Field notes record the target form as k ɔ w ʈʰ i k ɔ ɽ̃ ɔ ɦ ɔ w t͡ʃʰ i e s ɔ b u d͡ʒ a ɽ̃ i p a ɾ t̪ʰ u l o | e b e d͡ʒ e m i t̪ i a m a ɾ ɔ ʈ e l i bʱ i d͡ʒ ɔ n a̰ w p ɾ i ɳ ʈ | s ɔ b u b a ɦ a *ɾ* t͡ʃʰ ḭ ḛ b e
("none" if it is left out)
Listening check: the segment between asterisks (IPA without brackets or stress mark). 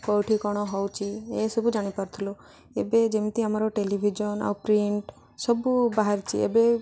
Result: ɾ